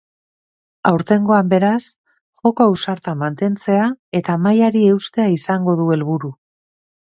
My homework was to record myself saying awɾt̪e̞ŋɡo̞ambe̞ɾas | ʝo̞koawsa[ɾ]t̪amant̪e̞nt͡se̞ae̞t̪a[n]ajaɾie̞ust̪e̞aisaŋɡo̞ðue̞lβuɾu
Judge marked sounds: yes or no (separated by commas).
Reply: yes, no